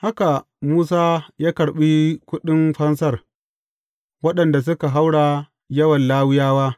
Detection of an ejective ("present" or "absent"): absent